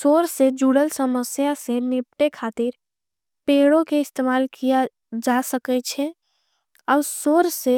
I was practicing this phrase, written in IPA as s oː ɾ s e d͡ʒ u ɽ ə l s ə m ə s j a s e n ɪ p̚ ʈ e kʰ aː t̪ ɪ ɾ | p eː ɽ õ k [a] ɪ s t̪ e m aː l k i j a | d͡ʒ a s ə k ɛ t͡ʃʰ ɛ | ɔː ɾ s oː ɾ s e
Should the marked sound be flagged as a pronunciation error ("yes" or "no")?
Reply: yes